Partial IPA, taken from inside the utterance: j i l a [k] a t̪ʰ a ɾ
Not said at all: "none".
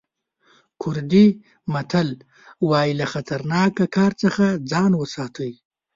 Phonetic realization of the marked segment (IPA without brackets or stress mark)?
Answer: x